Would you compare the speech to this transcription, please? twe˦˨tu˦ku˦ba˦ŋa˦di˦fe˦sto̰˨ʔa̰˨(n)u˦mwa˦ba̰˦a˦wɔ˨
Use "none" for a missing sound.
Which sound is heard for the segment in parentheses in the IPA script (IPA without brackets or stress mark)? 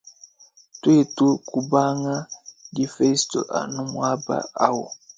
n